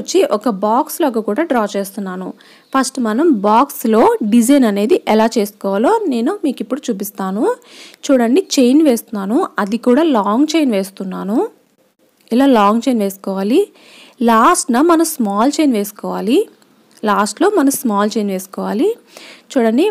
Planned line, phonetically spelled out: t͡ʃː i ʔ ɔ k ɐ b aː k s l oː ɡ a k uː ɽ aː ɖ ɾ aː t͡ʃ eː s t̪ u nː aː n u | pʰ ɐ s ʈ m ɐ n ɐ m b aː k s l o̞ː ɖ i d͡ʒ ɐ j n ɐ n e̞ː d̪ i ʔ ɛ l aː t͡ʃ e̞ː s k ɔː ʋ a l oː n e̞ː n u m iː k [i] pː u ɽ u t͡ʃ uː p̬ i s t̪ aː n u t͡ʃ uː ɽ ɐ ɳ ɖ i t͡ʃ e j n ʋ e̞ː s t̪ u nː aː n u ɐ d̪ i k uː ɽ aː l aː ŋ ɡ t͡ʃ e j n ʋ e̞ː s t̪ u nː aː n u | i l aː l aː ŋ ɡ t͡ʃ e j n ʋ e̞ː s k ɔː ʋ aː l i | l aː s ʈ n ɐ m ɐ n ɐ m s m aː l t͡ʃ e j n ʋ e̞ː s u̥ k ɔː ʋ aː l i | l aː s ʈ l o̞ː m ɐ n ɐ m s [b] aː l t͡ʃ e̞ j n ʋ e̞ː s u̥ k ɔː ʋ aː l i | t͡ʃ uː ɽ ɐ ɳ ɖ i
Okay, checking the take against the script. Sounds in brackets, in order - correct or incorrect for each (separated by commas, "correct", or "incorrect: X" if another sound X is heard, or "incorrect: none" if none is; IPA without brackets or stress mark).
correct, incorrect: m